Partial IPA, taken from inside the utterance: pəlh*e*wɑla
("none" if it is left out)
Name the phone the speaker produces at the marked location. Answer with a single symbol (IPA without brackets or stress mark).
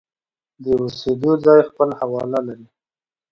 a